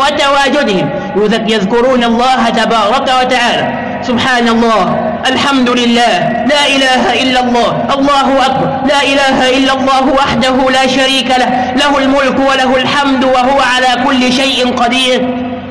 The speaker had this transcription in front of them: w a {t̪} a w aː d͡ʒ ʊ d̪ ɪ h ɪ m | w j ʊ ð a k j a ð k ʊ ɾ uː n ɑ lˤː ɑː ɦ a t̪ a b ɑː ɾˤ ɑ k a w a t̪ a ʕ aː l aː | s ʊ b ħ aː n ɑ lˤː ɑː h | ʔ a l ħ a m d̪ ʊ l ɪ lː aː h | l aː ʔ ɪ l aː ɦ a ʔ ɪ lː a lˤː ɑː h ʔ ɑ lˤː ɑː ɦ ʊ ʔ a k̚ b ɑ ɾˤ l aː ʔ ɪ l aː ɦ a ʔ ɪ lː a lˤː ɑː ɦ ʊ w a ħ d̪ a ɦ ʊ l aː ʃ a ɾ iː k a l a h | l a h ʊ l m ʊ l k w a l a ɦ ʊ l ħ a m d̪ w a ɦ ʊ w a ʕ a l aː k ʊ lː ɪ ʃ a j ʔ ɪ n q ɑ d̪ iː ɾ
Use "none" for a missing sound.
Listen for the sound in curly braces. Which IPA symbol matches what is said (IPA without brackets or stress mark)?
t̪